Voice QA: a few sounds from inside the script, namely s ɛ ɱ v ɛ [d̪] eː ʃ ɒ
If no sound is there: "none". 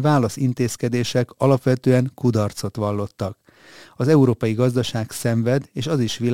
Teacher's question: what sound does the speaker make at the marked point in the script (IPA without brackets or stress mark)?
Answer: d̪